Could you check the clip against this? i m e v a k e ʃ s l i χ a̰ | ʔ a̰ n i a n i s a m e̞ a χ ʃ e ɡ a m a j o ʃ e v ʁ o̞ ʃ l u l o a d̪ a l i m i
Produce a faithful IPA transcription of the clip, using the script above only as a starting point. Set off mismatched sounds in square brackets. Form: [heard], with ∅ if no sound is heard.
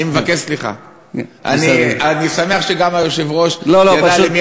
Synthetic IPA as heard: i m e v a k e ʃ s l i χ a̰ | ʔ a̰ n i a n i s a m e̞ a χ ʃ e ɡ a m a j o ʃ e v ʁ o̞ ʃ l [o] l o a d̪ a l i m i